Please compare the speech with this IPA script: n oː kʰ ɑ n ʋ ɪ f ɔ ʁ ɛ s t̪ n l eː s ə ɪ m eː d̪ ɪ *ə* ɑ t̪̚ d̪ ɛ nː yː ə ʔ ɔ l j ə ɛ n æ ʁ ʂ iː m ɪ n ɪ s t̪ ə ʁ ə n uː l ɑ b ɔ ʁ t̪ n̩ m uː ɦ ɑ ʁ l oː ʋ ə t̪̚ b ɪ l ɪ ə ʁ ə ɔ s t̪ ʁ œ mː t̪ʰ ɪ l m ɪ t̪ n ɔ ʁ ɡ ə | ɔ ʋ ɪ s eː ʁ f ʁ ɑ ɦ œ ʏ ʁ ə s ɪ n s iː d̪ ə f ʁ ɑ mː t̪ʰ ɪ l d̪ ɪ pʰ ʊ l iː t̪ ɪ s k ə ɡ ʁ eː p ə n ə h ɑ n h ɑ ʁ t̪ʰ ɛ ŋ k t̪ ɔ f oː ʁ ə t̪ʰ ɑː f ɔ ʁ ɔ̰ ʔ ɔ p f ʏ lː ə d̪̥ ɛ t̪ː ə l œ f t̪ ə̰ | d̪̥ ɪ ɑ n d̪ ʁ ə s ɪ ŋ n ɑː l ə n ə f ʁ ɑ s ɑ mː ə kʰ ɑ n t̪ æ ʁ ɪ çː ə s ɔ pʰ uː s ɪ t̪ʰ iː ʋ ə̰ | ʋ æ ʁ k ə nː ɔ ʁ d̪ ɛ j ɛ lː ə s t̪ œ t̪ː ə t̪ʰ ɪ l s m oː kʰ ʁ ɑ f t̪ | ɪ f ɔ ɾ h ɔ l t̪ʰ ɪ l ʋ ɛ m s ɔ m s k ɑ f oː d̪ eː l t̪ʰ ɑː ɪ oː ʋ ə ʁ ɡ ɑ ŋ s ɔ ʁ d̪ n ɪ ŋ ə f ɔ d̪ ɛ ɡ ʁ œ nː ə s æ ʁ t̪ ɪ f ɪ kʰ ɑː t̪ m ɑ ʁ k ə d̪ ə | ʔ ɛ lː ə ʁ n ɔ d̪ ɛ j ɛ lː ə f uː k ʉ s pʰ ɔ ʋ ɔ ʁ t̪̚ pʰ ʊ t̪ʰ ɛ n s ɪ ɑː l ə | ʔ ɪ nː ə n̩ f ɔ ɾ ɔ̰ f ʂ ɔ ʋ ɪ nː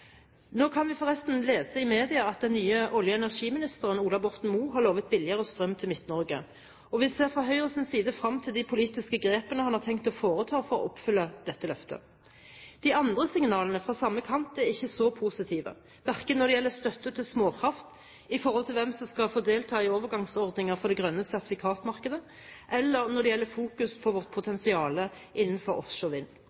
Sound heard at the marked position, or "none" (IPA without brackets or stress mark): ɑ